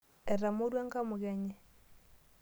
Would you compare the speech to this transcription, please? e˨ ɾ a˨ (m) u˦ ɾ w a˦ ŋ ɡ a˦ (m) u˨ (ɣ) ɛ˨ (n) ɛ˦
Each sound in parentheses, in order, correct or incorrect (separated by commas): correct, correct, correct, incorrect